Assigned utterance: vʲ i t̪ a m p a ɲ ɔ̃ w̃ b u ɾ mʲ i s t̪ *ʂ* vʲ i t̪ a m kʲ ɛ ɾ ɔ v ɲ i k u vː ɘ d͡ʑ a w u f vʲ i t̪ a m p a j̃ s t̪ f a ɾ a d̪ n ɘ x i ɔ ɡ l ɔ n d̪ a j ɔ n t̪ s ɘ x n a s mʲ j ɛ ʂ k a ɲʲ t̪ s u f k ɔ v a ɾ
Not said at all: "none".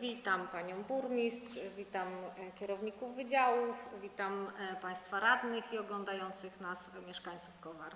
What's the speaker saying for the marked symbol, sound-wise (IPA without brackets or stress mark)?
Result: ʂ